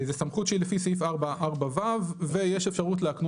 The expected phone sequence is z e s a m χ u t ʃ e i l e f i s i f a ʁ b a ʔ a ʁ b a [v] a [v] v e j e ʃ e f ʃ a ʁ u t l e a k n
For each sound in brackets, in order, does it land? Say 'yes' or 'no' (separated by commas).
yes, yes